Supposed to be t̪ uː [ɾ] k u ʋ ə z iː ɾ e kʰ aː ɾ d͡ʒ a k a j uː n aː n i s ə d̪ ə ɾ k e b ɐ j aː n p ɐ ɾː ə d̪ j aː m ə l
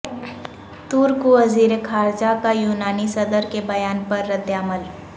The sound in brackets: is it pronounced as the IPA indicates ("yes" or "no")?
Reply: yes